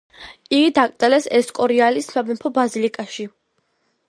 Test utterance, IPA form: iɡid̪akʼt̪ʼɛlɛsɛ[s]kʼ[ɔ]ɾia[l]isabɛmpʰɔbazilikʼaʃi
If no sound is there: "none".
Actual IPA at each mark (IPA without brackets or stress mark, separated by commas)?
s, ɔ, l